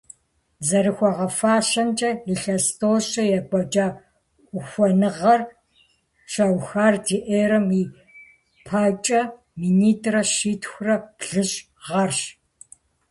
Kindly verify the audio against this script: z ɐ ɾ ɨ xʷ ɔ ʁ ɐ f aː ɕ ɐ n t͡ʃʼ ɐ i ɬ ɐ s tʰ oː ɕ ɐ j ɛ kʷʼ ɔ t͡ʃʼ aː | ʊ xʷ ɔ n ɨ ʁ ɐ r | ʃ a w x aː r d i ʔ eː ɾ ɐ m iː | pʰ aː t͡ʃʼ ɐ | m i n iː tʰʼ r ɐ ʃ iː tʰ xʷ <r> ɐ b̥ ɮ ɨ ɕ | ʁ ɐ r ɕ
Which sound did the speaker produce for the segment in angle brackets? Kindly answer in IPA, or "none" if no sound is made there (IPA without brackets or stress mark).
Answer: r